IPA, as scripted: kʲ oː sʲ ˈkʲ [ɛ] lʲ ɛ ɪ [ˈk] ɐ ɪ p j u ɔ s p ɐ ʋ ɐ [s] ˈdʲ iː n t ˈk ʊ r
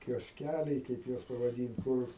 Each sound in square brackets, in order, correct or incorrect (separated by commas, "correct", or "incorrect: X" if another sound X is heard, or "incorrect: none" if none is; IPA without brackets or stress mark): incorrect: æ, correct, incorrect: none